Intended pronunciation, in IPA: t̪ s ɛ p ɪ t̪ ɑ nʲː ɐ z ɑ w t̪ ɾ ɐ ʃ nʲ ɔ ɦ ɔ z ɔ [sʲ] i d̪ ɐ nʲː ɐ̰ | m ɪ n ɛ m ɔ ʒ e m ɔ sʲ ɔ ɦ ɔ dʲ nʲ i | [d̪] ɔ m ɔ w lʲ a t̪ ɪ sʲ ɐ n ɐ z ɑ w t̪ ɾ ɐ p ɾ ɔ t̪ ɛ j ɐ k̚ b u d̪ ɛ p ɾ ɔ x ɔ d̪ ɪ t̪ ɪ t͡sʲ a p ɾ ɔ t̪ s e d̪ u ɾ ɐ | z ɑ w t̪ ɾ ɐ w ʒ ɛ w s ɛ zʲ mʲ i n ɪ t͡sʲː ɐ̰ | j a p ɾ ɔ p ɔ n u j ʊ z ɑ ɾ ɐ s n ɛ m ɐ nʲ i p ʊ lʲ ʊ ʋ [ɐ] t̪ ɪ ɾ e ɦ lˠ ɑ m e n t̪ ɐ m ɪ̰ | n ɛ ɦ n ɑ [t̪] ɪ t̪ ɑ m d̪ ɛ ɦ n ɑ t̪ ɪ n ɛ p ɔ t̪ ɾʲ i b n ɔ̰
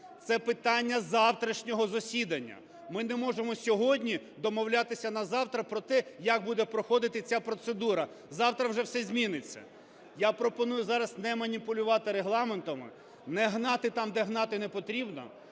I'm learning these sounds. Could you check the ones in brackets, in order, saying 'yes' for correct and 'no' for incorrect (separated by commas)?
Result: yes, yes, no, yes